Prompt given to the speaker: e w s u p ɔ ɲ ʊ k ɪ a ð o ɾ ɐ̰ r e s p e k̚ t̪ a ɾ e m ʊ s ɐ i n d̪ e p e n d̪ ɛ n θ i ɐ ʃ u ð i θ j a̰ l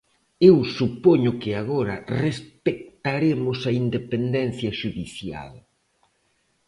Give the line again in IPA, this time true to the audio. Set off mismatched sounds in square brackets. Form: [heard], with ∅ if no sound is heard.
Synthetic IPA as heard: e w s u p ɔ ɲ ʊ k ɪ a [ɣ] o ɾ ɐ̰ r e s p e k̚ t̪ a ɾ e m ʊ s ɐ i n d̪ e p e n d̪ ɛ n θ [j] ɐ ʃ u ð i θ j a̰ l